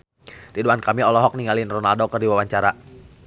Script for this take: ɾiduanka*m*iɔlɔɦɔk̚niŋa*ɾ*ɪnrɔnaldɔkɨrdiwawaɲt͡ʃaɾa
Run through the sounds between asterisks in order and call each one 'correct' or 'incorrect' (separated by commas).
correct, incorrect